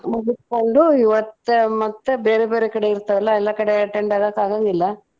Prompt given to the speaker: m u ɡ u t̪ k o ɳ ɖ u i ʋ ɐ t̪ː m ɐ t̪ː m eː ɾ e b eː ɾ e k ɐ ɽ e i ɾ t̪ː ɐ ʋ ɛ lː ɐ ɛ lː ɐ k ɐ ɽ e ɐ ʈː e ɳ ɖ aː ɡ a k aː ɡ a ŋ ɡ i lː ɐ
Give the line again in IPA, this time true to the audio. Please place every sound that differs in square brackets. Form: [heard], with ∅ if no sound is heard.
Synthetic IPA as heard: m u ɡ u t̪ k o ɳ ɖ u i ʋ ɐ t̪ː m ɐ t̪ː [b] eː ɾ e b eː ɾ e k ɐ ɽ e i ɾ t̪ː ɐ ʋ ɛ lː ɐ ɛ lː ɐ k ɐ ɽ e ɐ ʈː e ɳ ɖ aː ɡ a k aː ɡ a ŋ ɡ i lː ɐ